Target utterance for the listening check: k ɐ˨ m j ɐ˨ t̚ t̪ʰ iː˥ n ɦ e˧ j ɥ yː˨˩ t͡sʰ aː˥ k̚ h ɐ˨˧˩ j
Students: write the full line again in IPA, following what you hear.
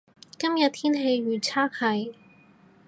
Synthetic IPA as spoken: k ɐ˥ m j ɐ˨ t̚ t̪ʰ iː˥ n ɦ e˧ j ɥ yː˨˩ t͡sʰ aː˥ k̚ h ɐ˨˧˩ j